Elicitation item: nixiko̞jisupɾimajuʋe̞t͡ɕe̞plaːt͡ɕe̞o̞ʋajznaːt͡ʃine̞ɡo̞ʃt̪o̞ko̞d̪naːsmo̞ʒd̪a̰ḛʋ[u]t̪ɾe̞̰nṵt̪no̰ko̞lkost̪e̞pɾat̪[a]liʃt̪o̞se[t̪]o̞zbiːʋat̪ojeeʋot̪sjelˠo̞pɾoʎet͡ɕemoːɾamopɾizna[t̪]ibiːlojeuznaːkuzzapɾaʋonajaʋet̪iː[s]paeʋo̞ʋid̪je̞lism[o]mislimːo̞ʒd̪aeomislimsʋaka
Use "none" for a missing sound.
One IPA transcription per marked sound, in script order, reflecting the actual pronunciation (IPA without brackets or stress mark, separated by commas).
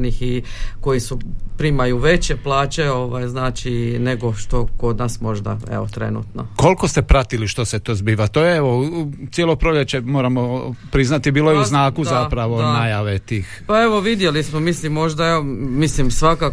o, i, t̪, t̪, x, o